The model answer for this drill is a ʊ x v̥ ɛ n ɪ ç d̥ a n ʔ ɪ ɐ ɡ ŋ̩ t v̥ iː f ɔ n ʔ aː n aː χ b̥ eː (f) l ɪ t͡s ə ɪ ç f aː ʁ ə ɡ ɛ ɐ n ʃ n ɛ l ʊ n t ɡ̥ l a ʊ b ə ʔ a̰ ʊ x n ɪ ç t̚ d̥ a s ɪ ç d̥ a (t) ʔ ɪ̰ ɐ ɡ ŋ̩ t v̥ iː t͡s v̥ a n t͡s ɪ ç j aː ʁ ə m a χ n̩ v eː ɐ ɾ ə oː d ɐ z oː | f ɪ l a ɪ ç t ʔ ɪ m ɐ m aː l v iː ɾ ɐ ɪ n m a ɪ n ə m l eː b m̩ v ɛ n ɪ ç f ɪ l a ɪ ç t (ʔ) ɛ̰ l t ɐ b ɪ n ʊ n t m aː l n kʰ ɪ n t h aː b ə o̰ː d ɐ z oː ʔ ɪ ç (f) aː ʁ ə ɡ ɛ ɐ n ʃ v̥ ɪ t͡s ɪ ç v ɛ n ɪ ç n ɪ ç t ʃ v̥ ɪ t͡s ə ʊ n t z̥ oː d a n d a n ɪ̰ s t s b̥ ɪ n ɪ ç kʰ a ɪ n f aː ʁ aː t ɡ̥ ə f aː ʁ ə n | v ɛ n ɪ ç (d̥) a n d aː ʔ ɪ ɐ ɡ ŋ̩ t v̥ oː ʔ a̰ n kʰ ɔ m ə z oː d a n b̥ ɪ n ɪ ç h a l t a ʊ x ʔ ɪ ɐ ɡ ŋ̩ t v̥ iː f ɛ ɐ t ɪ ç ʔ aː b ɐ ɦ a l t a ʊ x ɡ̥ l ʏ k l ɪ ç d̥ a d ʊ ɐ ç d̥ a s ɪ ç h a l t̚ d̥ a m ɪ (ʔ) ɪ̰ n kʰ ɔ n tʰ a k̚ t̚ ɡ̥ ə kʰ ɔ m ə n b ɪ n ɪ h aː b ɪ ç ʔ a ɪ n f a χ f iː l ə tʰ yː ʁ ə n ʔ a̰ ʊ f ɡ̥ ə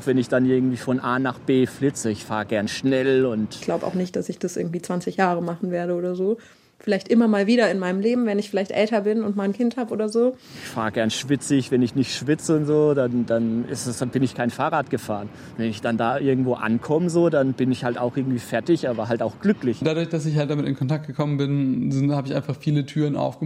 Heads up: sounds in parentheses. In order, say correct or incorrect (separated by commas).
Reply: correct, incorrect, correct, correct, correct, incorrect